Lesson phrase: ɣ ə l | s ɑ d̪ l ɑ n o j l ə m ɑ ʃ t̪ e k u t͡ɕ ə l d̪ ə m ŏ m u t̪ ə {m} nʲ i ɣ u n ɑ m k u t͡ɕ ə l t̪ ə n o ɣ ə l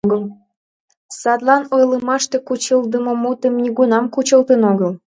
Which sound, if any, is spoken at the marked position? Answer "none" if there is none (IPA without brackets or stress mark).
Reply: m